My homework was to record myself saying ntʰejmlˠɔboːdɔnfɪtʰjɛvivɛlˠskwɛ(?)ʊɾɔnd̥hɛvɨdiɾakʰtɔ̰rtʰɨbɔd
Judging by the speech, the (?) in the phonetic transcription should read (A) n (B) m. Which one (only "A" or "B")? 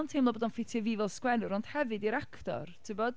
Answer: A